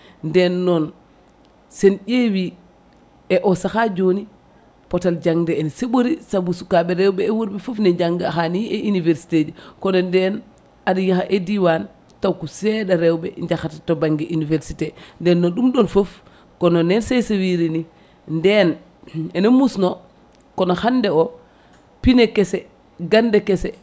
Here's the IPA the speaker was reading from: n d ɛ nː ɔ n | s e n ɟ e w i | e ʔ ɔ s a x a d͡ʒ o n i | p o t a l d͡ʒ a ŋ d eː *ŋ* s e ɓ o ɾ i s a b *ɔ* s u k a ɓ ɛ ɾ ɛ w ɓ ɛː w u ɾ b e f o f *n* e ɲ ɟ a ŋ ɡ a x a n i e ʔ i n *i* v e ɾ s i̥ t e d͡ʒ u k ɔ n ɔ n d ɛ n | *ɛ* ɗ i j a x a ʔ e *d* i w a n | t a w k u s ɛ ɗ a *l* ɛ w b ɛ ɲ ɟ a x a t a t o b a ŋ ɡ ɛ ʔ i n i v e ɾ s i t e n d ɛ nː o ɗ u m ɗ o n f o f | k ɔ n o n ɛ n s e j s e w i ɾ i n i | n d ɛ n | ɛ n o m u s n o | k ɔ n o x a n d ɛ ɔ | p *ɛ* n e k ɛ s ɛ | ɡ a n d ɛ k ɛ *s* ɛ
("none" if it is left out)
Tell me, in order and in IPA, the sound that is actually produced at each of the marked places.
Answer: n, u, n, i, a, d, ɾ, i, s

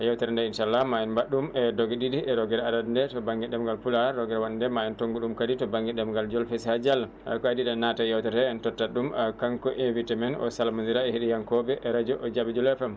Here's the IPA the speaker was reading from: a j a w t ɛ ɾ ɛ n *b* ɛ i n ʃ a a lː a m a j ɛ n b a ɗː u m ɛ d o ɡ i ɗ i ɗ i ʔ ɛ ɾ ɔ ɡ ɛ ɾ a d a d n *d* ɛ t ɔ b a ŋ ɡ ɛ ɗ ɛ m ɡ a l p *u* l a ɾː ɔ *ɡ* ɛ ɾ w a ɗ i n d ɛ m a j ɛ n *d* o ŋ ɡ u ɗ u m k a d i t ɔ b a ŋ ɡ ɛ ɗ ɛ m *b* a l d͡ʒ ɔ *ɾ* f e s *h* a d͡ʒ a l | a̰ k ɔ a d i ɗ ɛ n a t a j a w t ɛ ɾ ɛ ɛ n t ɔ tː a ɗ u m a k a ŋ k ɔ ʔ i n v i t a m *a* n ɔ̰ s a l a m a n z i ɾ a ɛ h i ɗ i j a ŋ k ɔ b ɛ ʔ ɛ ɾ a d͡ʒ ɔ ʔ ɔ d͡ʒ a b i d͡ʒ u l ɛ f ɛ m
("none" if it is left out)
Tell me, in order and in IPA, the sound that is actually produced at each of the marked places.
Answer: d, d, u, ɡ, t, ɡ, l, h, ɛ

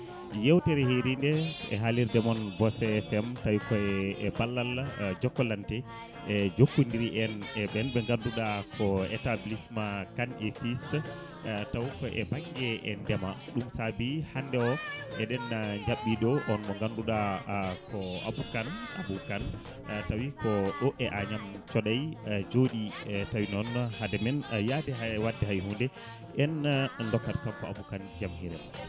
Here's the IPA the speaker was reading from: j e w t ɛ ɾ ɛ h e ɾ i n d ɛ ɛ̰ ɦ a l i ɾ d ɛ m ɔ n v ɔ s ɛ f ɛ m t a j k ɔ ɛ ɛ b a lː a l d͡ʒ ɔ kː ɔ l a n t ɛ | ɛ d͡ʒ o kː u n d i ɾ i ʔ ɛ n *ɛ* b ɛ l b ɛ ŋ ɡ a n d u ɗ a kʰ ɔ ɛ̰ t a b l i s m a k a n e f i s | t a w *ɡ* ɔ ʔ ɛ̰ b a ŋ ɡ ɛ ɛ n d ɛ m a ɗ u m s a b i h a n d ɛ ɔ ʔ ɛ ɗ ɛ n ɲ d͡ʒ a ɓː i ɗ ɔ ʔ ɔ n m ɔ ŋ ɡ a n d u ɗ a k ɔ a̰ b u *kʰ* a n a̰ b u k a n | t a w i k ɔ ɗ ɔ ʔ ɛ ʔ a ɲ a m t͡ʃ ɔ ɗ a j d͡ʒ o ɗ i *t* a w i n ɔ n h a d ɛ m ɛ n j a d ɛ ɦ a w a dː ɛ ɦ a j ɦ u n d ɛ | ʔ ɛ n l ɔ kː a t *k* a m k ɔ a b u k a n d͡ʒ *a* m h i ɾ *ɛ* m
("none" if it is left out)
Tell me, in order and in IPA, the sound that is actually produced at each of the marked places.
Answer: ɛ, k, k, t, k, a, ɛ

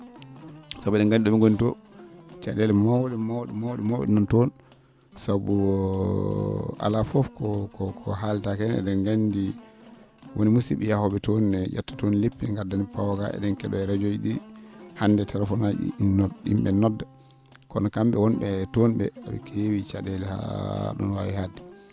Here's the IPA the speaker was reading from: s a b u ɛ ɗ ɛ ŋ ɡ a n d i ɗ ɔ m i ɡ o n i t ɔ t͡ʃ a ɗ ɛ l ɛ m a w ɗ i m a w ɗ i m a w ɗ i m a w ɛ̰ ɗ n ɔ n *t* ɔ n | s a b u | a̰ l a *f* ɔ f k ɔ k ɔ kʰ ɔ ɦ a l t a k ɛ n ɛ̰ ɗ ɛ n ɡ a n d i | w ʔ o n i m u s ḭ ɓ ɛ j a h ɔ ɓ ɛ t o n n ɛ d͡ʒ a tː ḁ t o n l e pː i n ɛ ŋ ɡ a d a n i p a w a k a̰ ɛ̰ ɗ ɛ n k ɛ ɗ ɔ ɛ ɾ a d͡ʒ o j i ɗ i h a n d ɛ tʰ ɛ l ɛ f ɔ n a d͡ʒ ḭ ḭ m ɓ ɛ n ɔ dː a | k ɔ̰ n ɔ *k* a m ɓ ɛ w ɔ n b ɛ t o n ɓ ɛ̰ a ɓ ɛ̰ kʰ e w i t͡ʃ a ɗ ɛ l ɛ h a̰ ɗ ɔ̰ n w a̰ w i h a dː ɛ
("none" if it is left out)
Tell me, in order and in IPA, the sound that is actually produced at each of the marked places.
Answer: t, f, k

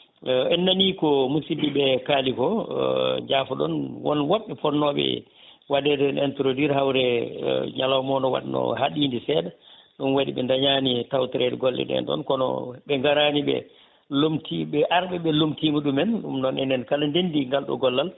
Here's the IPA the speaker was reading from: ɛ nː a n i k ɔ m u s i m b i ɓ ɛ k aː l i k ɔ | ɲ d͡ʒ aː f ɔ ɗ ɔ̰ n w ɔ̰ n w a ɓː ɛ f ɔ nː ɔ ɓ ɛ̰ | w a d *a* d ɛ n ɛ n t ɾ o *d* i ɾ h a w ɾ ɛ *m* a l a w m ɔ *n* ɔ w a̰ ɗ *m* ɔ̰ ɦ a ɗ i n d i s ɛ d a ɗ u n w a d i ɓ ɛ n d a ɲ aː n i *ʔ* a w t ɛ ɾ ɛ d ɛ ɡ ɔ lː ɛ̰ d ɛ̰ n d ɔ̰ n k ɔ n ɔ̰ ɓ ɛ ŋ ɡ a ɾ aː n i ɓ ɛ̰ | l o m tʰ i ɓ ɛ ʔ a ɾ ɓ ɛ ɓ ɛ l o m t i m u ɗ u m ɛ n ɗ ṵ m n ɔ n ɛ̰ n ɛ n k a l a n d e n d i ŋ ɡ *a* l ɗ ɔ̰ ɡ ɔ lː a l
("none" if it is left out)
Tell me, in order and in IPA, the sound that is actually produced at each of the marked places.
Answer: ɛ, d, ɲ, n, n, t, a

